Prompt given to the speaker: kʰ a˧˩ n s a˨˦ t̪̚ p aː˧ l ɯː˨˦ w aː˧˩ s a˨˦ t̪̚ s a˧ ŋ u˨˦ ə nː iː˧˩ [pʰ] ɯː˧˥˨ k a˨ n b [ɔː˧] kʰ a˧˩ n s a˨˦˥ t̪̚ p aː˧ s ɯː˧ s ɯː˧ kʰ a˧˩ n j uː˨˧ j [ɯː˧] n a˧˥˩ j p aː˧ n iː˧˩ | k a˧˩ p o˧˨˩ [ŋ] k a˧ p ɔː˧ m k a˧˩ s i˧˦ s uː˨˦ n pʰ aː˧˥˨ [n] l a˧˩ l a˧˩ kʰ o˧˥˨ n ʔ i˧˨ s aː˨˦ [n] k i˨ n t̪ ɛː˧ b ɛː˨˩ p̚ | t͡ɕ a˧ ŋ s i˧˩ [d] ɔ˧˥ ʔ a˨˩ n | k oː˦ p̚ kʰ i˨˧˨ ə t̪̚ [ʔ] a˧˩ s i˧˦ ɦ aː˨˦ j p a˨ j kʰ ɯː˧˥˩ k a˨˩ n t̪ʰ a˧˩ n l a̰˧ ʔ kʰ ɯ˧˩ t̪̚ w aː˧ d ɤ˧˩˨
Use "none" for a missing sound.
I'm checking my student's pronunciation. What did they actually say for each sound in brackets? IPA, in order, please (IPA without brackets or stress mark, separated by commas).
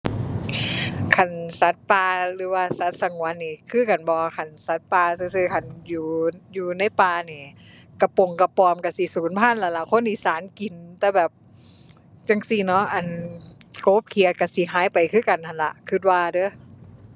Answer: kʰ, ɔː˧, uː˧, ŋ, n, n, n, k